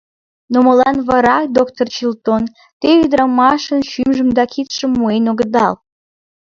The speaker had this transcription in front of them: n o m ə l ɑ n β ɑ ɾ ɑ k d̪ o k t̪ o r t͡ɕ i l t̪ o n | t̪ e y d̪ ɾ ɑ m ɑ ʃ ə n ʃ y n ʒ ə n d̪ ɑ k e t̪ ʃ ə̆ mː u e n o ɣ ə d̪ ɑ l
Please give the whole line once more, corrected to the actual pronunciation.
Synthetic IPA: n o m ə l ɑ n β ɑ ɾ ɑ k d̪ o k t̪ o r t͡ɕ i l t̪ o n | t̪ e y d̪ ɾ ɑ m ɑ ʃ ə n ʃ y m ʒ ə m d̪ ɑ k i t̪ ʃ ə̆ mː u e n o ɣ ə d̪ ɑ l